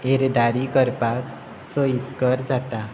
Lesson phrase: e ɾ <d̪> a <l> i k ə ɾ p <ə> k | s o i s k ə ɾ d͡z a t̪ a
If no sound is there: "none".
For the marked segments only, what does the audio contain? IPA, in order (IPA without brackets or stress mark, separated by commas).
d̪, ɾ, a